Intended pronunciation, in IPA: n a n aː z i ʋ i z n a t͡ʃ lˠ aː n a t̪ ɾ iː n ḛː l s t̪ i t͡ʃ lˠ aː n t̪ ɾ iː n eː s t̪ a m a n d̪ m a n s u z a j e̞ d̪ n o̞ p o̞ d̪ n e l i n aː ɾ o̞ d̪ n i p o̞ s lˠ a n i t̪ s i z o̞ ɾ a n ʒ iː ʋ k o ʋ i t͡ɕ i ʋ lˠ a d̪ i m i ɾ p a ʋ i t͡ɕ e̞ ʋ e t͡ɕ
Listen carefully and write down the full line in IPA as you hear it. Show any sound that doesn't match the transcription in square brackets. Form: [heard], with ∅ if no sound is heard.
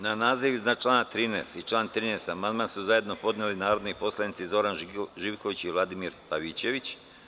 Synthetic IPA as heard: n a n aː z i ʋ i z n a t͡ʃ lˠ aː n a t̪ ɾ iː n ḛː [∅] s t̪ i t͡ʃ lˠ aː n t̪ ɾ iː n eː s t̪ a m a n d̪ m a n s u z a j e̞ d̪ n o̞ p o̞ d̪ n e l i n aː ɾ o̞ d̪ n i p o̞ s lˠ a n i t̪ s i z o̞ ɾ a n ʒ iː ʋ k o ʋ i t͡ɕ i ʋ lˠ a d̪ i m i ɾ p a ʋ i t͡ɕ e̞ ʋ [i] t͡ɕ